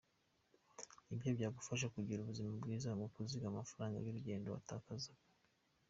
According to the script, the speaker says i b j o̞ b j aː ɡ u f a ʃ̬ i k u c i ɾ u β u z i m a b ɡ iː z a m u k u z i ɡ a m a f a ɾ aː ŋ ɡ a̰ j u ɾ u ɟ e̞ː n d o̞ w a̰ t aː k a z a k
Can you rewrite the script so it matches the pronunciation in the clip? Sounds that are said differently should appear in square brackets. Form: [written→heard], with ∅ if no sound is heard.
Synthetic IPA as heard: i b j o̞ b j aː ɡ u f a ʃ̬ [i→a] k u [c→ɟ] i ɾ u β u z i m a b ɡ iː z a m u k u z i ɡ a m a f a ɾ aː ŋ ɡ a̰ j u ɾ u ɟ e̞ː n d o̞ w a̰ t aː k a z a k